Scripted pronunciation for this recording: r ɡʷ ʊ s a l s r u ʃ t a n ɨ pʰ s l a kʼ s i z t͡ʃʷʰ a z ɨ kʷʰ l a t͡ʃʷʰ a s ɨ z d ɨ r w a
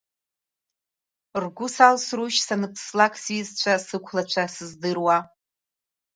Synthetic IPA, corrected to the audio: r ɡʷ ʊ s a l s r u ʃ s a n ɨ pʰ s l a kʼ s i z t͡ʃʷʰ a s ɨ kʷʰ l a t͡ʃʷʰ a s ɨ z d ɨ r w a